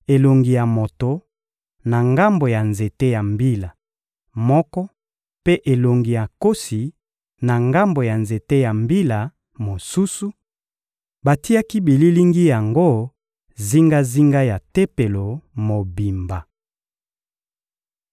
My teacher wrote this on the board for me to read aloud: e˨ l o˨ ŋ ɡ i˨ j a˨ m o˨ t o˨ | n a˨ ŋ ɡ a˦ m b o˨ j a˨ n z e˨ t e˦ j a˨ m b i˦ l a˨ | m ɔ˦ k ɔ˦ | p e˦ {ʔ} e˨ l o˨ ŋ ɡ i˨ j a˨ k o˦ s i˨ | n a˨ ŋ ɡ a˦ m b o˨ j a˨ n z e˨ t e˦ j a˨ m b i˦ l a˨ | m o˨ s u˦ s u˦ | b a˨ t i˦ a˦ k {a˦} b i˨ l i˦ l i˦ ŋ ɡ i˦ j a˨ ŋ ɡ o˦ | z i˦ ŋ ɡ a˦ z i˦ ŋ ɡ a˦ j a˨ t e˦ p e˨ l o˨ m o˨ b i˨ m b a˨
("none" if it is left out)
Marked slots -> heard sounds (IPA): ʔ, i˦

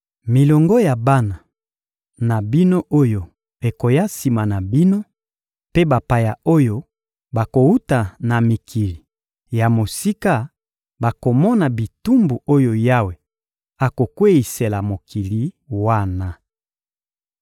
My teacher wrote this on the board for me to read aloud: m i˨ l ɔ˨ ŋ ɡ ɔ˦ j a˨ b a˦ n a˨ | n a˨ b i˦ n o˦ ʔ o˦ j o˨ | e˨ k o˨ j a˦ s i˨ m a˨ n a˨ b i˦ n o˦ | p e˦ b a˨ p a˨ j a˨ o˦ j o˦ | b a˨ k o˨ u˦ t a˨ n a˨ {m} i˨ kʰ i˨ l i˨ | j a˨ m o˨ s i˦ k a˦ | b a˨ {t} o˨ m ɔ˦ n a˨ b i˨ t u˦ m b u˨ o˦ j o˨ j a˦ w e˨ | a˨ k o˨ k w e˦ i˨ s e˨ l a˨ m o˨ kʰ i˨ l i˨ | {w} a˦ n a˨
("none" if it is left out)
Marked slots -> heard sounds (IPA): m, k, w

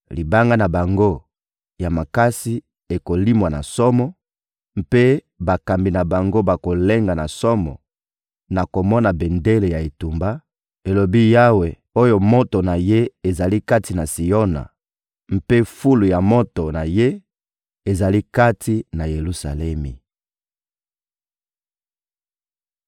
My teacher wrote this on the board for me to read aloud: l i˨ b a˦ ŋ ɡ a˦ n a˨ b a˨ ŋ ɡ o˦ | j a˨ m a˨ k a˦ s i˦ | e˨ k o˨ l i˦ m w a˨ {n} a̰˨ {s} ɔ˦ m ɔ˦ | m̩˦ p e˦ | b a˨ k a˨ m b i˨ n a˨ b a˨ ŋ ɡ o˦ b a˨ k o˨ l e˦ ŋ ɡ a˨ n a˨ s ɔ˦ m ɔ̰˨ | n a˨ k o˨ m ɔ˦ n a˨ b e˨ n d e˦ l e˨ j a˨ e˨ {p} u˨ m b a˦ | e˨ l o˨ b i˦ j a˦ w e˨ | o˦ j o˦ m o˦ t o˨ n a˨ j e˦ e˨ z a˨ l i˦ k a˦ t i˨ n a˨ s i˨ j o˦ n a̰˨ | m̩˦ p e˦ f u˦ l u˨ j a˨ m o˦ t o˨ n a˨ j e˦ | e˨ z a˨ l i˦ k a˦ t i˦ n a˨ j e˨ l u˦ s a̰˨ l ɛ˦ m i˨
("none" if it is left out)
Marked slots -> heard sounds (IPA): n, s, t

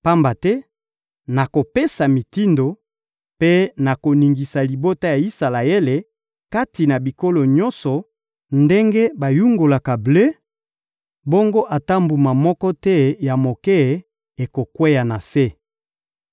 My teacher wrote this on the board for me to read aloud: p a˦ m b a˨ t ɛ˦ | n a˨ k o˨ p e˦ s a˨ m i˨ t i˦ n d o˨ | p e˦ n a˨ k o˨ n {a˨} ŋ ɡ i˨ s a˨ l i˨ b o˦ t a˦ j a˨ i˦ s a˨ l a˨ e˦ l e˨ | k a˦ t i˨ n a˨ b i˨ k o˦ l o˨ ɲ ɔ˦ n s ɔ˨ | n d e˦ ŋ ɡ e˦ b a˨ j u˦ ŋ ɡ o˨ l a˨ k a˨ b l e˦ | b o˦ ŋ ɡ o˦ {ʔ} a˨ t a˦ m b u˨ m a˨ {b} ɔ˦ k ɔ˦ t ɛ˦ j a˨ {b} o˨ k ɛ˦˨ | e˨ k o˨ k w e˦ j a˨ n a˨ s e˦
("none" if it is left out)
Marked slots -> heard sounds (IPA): i˨, ʔ, m, m

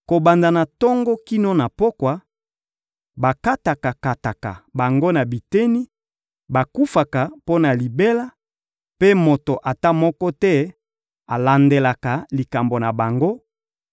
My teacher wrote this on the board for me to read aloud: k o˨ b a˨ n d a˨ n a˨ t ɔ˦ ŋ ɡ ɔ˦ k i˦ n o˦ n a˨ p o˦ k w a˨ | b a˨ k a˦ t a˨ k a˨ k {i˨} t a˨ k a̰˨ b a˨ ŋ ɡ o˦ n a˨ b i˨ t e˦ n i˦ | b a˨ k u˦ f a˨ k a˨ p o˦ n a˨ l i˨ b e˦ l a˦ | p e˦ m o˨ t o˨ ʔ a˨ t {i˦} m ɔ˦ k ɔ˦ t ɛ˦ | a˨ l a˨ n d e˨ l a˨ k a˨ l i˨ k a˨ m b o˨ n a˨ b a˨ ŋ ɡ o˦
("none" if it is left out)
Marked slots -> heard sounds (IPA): a˨, a˦

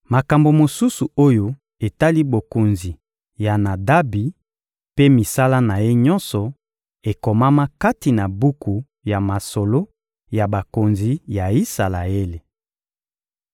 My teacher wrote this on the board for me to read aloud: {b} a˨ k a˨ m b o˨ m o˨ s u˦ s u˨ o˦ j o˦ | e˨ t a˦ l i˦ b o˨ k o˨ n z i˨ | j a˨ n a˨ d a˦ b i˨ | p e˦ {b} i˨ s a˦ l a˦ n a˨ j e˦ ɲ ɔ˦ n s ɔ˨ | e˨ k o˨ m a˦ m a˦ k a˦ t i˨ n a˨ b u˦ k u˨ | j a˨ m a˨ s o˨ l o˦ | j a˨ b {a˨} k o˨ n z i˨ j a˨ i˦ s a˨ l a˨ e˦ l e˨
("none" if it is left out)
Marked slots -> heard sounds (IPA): m, m, a˨

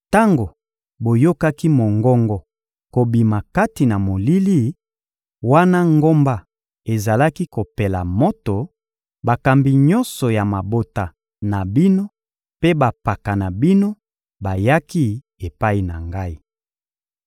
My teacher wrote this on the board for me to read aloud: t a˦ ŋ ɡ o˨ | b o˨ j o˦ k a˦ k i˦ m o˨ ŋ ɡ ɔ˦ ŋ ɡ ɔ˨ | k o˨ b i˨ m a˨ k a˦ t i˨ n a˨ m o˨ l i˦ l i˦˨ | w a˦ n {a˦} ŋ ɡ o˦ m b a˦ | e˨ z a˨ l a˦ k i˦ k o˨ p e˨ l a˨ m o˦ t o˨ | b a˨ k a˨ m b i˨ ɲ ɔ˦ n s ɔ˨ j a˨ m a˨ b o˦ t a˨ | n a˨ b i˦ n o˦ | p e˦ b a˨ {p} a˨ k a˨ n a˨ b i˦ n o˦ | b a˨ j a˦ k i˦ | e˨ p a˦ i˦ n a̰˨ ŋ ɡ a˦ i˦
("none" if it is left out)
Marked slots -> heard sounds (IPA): a˦, p

